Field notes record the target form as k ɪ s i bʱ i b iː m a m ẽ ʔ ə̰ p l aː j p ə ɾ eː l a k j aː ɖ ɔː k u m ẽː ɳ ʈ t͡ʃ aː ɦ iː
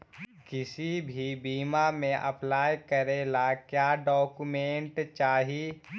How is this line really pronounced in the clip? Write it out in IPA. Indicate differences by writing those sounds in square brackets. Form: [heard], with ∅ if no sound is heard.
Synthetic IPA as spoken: k ɪ s i bʱ i b iː m a m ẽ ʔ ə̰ p l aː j [k] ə ɾ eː l a k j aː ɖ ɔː k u m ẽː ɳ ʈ t͡ʃ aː ɦ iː